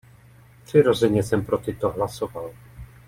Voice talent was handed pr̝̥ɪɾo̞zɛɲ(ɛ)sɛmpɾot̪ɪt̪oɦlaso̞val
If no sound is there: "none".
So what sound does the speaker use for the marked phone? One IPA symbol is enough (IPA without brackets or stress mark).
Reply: ɛ